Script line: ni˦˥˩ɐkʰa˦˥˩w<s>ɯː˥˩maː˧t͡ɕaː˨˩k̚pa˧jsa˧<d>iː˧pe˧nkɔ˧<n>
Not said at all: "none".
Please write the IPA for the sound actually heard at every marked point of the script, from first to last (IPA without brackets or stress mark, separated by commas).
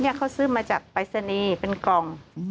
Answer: s, n, ŋ